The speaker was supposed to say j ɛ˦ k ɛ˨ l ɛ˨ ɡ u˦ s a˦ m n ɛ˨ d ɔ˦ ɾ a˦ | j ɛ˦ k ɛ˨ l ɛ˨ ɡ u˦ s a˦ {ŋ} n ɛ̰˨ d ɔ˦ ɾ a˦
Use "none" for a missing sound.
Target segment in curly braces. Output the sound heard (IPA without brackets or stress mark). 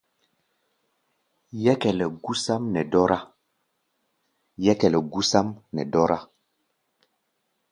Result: m